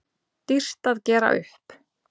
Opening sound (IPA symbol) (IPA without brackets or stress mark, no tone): t̪